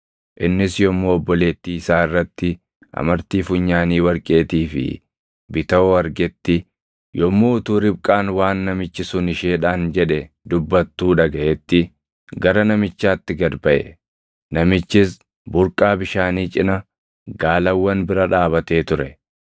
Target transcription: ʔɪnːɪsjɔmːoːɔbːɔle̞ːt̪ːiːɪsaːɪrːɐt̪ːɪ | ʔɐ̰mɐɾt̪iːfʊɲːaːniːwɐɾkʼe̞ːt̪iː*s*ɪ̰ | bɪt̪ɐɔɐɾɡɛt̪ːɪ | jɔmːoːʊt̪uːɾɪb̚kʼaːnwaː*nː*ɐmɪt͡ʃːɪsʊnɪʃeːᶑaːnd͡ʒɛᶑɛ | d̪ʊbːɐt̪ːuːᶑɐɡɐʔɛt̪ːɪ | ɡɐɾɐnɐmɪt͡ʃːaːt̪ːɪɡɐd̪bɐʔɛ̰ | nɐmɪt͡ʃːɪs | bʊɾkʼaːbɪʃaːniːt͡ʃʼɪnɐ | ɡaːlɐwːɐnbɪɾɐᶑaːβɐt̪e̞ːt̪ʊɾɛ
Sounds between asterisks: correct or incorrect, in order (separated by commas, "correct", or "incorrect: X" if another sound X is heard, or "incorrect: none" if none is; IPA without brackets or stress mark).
incorrect: f, correct